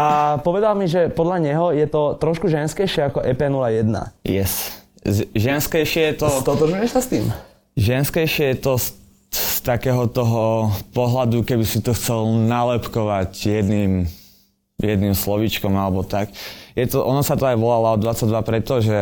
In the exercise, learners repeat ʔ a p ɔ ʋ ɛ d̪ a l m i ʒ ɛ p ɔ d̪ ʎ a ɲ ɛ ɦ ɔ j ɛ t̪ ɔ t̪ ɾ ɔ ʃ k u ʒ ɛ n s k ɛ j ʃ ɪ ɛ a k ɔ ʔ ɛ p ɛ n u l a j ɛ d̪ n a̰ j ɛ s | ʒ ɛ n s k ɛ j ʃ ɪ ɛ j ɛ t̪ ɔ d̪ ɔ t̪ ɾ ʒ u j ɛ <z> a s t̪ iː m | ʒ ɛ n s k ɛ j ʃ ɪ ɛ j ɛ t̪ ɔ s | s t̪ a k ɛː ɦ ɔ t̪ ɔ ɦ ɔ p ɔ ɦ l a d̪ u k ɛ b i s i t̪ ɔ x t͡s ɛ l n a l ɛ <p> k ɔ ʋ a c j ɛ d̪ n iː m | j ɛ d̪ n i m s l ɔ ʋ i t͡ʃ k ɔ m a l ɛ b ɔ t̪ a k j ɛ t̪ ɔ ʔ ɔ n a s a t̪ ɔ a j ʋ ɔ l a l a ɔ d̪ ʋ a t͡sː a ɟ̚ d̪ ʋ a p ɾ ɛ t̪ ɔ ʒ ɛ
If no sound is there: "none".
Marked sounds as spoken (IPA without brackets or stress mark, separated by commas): s, p